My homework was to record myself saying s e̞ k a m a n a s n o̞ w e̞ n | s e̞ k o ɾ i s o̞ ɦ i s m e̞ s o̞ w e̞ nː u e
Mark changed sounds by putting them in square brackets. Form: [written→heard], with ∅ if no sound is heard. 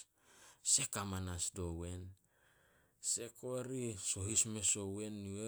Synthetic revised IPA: s e̞ k a m a n a s [n→d] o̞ w e̞ n | s e̞ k o ɾ i s o̞ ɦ i s m e̞ s o̞ w e̞ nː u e